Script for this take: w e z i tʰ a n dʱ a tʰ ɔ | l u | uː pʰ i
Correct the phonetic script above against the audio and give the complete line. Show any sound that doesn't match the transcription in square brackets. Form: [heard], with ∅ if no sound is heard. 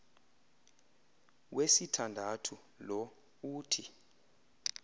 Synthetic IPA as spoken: w e [s] i tʰ a n dʱ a tʰ [u] | l [ɔ] | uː [tʰ] i

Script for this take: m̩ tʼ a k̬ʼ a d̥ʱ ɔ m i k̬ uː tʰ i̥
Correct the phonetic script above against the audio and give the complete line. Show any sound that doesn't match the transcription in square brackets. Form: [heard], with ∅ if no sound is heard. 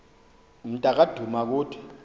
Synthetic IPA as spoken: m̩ tʼ a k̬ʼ a d̥ʱ [u] m [a] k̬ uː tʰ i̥

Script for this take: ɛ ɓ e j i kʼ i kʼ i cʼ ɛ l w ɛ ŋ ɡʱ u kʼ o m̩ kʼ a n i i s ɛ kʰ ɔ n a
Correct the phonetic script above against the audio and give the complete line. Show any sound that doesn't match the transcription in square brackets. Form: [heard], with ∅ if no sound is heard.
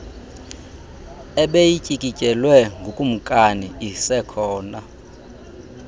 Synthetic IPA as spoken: ɛ ɓ e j i [cʼ] i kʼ i cʼ ɛ l w ɛ ŋ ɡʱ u kʼ [u] m̩ kʼ a n i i s ɛ kʰ [ɔː] n a

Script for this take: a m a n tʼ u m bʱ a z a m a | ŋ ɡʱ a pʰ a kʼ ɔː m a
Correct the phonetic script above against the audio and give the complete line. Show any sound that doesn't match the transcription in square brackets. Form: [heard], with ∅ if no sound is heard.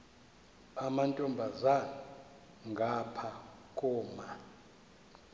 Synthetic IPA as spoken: a m a n tʼ [ɔ] m bʱ a z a [n] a | ŋ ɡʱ a pʰ a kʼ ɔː m a

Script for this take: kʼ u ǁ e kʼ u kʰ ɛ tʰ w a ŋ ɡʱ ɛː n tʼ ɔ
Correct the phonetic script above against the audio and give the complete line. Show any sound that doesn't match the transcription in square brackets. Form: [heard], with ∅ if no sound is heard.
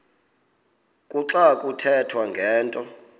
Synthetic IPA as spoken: kʼ u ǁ [a] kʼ u [tʰ] ɛ tʰ w a ŋ ɡʱ ɛː n tʼ ɔ

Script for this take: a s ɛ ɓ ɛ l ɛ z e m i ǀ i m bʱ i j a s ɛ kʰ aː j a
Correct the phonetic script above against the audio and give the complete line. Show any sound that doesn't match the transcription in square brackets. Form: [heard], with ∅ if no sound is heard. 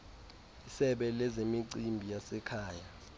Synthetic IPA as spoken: [i] s ɛ ɓ ɛ l ɛ z e m i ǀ i m bʱ i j a s ɛ kʰ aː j a

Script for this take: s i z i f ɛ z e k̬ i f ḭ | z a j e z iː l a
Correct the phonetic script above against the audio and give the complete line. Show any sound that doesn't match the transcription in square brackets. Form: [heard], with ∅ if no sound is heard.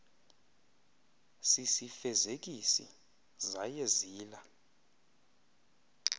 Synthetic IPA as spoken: s i [s] i f ɛ z e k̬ i [s] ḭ | z a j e z iː l a

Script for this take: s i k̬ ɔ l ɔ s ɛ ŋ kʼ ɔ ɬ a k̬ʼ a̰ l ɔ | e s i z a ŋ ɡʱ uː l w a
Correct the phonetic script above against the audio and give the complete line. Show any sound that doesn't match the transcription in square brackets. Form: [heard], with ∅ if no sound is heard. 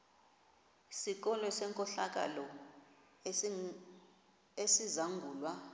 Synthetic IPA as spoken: s i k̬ ɔ l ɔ s ɛ ŋ kʼ ɔ ɬ a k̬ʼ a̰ l ɔ | e s i z a ŋ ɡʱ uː l w a

